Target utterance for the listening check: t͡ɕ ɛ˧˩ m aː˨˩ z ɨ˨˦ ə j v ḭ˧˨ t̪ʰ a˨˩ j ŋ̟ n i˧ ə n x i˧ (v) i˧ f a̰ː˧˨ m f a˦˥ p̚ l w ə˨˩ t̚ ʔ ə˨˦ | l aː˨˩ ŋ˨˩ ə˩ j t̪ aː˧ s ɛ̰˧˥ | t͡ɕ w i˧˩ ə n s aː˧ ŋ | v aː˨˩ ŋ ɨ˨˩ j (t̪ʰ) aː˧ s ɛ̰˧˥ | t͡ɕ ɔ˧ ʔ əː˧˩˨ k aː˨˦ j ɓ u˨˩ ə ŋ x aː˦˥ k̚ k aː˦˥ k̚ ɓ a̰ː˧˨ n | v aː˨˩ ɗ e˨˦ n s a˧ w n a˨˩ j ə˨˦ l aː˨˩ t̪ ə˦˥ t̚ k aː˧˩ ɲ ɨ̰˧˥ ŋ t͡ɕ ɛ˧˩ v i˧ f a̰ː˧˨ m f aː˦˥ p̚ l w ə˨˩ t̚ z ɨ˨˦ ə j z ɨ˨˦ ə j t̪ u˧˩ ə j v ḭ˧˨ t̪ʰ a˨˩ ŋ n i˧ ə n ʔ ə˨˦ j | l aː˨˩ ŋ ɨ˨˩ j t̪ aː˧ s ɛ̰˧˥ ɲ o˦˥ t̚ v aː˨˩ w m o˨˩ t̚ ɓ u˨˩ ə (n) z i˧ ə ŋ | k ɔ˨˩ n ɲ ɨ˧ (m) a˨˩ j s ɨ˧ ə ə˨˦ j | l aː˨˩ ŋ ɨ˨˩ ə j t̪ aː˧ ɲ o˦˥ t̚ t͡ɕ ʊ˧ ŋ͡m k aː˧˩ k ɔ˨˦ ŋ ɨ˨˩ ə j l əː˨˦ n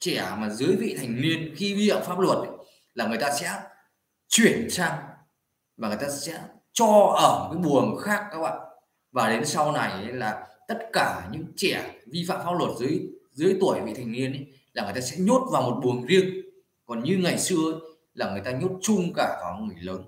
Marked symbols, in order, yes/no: yes, no, no, no

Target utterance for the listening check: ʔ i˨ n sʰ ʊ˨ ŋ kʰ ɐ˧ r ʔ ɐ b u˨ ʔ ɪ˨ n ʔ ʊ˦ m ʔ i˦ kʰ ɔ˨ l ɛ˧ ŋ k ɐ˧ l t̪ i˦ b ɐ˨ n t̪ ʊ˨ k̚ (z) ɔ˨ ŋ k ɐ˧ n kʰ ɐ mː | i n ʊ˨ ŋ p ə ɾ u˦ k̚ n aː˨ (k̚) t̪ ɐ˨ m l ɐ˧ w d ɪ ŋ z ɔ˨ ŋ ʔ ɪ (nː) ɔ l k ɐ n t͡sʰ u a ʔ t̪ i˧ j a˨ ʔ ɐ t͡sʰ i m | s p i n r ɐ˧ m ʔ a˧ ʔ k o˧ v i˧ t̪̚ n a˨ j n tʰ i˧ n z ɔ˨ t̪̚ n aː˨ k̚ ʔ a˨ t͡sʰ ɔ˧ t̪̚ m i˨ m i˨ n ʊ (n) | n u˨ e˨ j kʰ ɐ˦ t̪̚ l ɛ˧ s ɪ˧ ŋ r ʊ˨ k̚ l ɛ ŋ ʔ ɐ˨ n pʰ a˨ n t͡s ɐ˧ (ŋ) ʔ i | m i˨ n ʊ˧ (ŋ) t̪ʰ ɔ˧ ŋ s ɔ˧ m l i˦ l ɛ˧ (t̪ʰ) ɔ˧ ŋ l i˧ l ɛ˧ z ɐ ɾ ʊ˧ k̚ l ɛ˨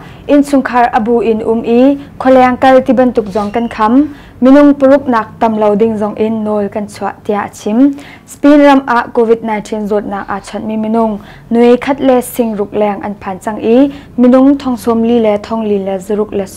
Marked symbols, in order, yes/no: yes, yes, yes, no, yes, yes, yes

